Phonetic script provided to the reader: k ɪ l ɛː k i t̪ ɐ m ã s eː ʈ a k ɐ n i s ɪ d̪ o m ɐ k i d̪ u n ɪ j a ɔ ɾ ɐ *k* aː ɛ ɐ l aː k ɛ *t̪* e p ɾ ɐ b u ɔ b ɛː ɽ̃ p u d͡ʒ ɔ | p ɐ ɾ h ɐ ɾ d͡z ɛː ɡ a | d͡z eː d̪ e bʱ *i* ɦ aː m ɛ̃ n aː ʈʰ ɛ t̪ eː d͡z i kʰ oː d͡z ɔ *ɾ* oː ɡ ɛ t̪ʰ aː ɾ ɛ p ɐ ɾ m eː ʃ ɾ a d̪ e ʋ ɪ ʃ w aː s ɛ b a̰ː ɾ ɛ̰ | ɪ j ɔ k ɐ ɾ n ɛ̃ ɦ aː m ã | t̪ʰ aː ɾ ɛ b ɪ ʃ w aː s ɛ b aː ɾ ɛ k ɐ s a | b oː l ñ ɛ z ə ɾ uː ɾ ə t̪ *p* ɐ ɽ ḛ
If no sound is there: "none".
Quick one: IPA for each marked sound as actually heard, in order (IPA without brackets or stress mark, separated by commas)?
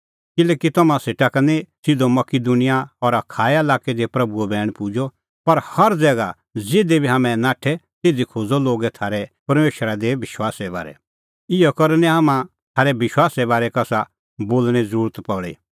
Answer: kʰ, d̪, i, l, p